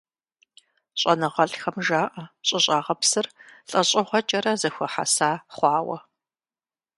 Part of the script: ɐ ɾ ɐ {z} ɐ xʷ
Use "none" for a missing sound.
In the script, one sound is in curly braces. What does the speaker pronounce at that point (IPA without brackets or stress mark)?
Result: z